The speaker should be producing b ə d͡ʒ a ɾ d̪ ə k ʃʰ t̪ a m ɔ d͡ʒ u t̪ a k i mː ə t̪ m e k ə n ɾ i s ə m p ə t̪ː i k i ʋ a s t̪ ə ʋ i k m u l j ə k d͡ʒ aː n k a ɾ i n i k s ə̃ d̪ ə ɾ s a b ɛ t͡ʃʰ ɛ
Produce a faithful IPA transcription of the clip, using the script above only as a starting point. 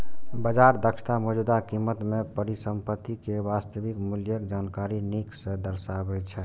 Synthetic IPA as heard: b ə d͡ʒ a ɾ d̪ ə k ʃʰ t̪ a m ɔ d͡ʒ u d̪ a k i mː ə t̪ m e p ə ɾ i s ə m p ə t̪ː i k e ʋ a s t̪ ə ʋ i k m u l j ə k d͡ʒ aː n k a ɾ i n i k s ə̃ d̪ ə ɾ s a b ɛ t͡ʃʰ ɛ

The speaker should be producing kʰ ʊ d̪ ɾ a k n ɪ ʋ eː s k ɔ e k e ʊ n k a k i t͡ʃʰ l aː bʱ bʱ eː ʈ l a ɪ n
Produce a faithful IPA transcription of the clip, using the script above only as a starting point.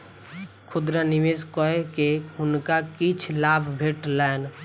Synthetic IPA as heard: kʰ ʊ d̪ ɾ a n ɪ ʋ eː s k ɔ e k e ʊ n k a k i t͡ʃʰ l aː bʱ bʱ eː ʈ l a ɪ n

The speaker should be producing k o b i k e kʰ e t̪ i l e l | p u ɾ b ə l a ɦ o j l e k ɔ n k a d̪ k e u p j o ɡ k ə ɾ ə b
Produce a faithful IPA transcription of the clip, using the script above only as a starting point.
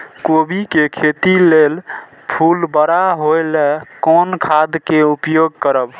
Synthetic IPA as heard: k o b i k e kʰ e t̪ i l e l | pʰ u l b ə ɾ a ɦ o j l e k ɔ n kʰ a d̪ k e u p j o ɡ k ə ɾ ə b

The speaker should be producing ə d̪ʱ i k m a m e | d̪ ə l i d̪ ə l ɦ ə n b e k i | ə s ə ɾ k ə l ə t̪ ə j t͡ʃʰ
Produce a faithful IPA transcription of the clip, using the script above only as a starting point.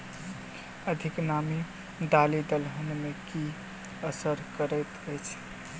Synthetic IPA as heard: ə d̪ʱ i k n a m i | d̪ a l i d̪ ə l ɦ ə n m e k i | ə s ə ɾ k ə ɾ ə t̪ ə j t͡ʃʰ

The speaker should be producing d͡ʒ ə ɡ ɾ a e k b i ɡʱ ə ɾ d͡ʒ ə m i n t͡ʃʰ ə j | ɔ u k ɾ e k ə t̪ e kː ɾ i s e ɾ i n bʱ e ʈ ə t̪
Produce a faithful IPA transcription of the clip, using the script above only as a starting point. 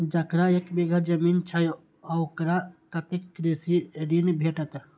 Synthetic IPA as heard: d͡ʒ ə k ɾ a e k b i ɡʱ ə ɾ d͡ʒ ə m i n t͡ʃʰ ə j | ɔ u k ɾ a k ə t̪ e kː ɾ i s i ɾ i n bʱ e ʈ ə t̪

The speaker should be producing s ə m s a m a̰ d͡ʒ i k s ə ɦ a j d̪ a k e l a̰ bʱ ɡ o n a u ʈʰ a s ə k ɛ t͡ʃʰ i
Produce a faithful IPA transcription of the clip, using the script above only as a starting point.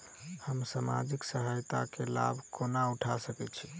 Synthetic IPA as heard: h ə m s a m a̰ d͡ʒ i k s ə ɦ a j t̪ a k e l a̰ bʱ k o n a u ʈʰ a s ə k ɛ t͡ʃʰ i

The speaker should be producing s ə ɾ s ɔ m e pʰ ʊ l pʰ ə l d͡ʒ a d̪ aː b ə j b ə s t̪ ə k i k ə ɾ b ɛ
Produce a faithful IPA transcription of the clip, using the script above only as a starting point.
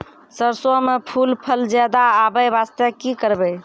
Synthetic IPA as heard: s ə ɾ s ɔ m e pʰ u l pʰ ə l d͡ʒ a d̪ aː b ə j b a s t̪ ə k i k ə ɾ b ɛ

